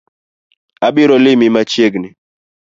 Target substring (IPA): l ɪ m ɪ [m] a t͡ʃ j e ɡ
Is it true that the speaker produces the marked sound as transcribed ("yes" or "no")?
yes